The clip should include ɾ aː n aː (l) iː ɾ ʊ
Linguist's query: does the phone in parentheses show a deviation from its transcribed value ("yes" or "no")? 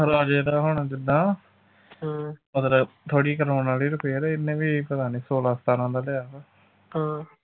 no